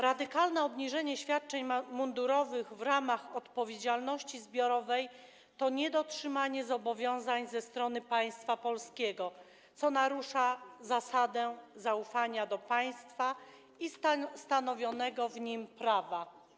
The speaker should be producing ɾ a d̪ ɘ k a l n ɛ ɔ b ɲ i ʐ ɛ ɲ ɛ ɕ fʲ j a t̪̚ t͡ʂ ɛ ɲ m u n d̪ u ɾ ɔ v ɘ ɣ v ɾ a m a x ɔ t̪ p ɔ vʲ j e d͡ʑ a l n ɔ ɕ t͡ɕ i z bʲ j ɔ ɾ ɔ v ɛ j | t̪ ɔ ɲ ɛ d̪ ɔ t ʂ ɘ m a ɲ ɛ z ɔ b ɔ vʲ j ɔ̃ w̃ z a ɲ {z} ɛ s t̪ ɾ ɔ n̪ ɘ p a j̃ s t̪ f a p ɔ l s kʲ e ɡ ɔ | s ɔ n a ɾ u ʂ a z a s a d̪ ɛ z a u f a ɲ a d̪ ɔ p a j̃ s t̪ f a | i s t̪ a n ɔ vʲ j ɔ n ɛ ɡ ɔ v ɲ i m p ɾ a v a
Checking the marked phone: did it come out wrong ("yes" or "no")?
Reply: no